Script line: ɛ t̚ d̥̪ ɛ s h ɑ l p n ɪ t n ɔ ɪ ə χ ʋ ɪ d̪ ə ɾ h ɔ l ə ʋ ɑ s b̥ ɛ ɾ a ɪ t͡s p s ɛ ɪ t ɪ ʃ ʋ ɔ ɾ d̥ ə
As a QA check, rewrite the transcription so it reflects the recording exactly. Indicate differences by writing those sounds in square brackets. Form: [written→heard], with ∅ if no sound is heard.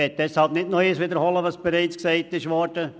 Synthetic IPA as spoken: ɛ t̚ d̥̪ ɛ s h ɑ l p n ɪ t n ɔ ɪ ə [χ→s] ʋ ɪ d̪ ə ɾ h ɔ l ə ʋ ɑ s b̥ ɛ ɾ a ɪ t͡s [p→k] s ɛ ɪ t ɪ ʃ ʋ ɔ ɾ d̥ ə